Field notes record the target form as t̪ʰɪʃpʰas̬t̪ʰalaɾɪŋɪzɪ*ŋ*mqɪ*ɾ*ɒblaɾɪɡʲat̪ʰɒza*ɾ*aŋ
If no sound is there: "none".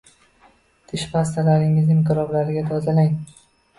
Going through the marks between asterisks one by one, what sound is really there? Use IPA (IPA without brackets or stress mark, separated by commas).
none, ɾ, l